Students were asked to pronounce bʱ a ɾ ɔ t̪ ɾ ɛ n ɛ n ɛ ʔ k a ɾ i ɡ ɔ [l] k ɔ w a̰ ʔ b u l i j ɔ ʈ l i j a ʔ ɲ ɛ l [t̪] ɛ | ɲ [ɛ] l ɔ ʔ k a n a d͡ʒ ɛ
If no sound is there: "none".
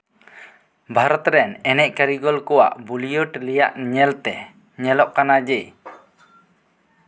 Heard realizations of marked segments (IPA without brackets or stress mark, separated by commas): l, t̪, ɛ